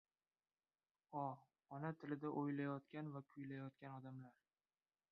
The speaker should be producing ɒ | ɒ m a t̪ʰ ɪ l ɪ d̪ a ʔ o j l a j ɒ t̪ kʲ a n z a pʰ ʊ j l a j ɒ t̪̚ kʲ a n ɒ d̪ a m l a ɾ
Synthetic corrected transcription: ɒ | ɒ n a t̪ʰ ɪ l ɪ d̪ a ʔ o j l a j ɒ t̪ kʲ a n v a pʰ ʊ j l a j ɒ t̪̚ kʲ a n ɒ d̪ a m l a ɾ